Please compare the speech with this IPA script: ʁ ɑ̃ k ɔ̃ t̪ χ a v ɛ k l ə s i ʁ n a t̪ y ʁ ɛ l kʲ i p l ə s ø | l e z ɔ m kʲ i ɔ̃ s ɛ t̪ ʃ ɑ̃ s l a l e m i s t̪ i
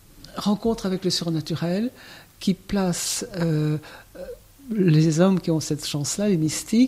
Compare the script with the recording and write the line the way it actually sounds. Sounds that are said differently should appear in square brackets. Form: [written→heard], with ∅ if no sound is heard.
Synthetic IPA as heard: ʁ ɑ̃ k ɔ̃ t̪ χ a v ɛ k l ə s [i→y] ʁ n a t̪ y ʁ ɛ l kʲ i p l [ə→a] s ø | l e z ɔ m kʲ i ɔ̃ s ɛ t̪ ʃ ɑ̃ s l a l e m i s t̪ i